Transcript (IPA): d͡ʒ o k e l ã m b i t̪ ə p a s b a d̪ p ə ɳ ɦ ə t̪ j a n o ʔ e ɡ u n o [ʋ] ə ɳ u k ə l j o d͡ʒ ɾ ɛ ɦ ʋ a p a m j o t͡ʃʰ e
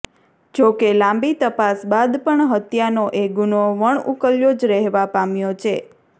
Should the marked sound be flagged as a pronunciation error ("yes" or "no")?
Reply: no